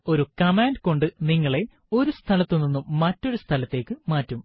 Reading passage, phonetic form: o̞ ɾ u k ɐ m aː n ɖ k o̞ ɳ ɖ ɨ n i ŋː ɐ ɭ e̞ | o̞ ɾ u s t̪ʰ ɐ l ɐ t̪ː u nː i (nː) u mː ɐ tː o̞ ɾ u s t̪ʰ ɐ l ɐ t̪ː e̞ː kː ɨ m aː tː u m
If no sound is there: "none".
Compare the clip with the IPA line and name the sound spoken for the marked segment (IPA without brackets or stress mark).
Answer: nː